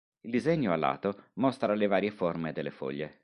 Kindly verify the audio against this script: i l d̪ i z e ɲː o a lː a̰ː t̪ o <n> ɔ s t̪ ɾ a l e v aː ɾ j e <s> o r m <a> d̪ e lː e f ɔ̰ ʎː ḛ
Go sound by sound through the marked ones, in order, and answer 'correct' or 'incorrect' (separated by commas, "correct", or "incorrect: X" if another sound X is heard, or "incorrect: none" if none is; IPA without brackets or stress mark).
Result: incorrect: m, incorrect: f, incorrect: e